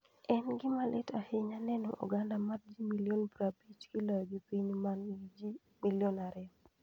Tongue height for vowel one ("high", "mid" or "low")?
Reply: mid